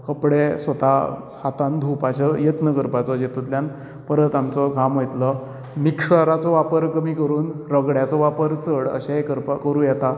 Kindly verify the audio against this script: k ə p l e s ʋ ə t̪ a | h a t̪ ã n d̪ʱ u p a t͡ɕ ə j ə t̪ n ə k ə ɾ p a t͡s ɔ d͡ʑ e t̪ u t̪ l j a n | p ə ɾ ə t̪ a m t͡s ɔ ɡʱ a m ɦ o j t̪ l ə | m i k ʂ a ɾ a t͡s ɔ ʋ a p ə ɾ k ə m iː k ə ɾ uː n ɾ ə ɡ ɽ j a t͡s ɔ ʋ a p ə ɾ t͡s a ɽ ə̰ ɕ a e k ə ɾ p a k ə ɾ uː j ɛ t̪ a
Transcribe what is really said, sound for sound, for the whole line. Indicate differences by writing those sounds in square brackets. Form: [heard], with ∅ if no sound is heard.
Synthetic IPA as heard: k ə p [ɽ] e s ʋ ə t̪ a | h a t̪ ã n d̪ʱ u p a t͡ɕ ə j ə t̪ n ə k ə ɾ p a t͡s ɔ d͡ʑ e t̪ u t̪ l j a n | p ə ɾ ə t̪ a m t͡s ɔ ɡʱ a m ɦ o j t̪ l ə | m i k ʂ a ɾ a t͡s ɔ ʋ a p ə ɾ k ə m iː k ə ɾ uː n ɾ ə ɡ ɽ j a t͡s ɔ ʋ a p ə ɾ t͡s [ə] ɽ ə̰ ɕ a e k ə ɾ p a k ə ɾ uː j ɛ t̪ a